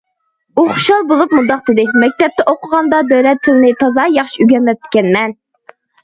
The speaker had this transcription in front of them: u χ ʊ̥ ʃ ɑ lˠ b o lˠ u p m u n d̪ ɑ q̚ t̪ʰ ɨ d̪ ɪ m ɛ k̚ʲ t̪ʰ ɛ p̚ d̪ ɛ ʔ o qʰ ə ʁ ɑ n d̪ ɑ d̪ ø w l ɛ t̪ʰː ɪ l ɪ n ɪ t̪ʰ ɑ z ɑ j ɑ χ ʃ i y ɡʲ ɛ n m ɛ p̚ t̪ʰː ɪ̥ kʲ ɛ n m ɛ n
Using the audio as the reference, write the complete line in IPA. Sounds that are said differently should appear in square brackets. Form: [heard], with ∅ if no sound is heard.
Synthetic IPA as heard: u χ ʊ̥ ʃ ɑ lˠ b o lˠ u p m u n d̪ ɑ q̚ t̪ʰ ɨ d̪ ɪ m ɛ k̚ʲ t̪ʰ ɛ p̚ [t̪] ɛ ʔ o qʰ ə ʁ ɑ n d̪ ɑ d̪ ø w l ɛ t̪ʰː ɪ l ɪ n ɪ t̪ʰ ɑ z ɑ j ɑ χ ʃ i y ɡʲ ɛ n m ɛ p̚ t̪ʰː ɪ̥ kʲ ɛ n m ɛ n

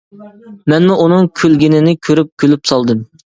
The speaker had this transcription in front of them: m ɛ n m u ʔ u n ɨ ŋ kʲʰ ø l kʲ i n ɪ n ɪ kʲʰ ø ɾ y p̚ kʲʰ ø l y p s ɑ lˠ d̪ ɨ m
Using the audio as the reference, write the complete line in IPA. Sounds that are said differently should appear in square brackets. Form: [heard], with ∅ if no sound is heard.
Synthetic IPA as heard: m ɛ n m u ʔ u n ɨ ŋ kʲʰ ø l [ɡʲ] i n ɪ n ɪ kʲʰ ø ɾ y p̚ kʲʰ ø l y p s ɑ lˠ d̪ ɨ m

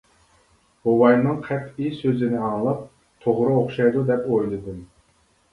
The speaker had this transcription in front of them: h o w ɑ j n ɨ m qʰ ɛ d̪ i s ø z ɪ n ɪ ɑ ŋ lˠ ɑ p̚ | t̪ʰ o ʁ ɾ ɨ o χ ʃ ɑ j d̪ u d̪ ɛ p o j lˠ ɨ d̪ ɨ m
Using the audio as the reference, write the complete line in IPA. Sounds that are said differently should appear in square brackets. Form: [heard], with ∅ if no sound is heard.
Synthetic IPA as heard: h o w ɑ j n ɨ [ŋ] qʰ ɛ [t̪] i s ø z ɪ n ɪ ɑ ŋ lˠ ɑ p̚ | t̪ʰ o ʁ ɾ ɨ o χ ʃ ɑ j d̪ u d̪ ɛ p o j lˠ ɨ d̪ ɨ m

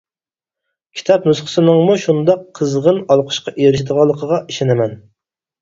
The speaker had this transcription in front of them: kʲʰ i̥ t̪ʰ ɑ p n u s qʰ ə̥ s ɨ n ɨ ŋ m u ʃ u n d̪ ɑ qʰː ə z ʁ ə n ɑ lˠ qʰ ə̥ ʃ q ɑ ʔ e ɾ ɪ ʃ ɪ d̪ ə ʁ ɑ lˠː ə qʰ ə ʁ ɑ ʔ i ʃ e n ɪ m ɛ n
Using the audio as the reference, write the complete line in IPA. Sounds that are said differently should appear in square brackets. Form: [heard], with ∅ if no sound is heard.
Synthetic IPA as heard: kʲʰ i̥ t̪ʰ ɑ p n u s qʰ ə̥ s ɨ n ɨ ŋ m u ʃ u n d̪ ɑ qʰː ə z ʁ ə n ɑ lˠ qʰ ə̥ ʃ q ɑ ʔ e ɾ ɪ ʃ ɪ d̪ ə ʁ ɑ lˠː ə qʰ ə ʁ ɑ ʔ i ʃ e n ɪ m ɛ n

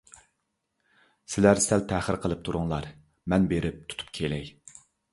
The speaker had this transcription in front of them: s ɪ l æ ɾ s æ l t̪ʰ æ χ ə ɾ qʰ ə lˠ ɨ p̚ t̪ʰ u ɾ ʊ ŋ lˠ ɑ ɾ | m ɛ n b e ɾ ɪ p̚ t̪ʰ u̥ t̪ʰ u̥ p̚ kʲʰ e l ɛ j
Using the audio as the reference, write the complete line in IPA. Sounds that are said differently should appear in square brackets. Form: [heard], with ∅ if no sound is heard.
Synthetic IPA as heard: s ɪ l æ ɾ s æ l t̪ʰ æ χ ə ɾ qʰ ə lˠ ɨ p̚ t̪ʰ u ɾ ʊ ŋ lˠ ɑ ɾ | m ɛ n b e ɾ ɪ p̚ t̪ʰ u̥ t̪ʰ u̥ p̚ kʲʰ e l ɛ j

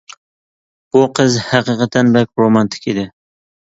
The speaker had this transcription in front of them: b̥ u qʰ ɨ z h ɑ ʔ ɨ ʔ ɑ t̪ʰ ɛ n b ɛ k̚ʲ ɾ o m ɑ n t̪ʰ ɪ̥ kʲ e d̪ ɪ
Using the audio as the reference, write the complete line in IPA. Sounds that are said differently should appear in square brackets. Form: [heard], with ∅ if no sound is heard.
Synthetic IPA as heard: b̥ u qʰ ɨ z h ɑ [q] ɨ [q] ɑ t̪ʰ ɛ n b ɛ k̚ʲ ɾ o m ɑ n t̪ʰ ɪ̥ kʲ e d̪ ɪ

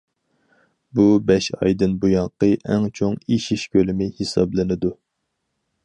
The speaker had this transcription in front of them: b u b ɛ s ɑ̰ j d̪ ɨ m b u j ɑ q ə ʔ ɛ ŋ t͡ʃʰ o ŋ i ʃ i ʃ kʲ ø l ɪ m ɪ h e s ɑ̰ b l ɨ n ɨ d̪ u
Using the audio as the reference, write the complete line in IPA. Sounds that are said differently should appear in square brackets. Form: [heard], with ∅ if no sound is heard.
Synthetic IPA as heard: b u b ɛ [ʃ] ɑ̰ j d̪ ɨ [n] b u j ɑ q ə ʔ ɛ ŋ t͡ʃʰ o ŋ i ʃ i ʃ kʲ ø l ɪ m ɪ h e s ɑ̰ b l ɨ n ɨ d̪ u

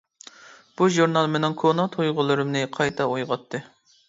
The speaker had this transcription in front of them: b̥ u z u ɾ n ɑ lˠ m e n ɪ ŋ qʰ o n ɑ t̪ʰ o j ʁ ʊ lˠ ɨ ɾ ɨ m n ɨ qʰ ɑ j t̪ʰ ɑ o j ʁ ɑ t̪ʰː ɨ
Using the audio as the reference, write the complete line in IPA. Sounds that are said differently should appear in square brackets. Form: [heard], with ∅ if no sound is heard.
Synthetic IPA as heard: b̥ u [ʒ] u ɾ n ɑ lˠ m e n ɪ ŋ [kʰ] o n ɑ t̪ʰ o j ʁ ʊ lˠ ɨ ɾ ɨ m n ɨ qʰ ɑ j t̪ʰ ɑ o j ʁ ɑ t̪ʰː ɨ

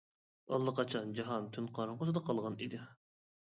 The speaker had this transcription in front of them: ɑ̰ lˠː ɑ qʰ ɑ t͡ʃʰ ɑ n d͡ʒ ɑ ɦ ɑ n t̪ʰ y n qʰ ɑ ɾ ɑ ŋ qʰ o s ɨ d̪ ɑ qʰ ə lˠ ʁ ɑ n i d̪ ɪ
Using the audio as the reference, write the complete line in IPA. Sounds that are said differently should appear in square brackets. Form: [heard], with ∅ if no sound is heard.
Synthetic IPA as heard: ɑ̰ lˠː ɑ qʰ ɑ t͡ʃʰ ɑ n d͡ʒ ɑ ɦ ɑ n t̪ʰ y n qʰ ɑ ɾ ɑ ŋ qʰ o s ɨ d̪ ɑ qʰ [ɑ] lˠ ʁ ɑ n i d̪ ɪ

